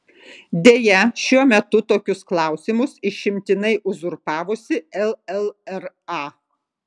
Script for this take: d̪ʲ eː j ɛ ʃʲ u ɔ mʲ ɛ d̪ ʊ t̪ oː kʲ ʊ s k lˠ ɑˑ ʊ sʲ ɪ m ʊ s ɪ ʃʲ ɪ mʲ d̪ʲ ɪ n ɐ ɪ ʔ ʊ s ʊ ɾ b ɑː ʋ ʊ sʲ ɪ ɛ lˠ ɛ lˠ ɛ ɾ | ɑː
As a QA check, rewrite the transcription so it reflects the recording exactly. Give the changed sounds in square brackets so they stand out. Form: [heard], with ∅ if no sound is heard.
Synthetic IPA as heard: d̪ʲ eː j ɛ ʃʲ u ɔ mʲ ɛ [t̪] ʊ t̪ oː kʲ ʊ s k lˠ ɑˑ ʊ sʲ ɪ m ʊ s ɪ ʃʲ ɪ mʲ [t̪ʲ] ɪ n ɐ ɪ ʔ ʊ [z] ʊ ɾ [p] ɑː ʋ ʊ sʲ ɪ ɛ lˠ ɛ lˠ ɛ ɾ | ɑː